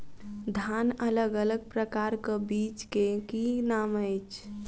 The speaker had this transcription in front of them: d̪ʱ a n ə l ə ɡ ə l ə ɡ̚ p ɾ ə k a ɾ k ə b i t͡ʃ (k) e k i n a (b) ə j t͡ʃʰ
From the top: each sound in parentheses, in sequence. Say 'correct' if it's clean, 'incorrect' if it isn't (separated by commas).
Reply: correct, incorrect